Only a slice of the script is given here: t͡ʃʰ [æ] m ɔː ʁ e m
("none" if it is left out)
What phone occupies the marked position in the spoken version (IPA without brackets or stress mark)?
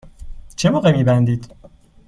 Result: e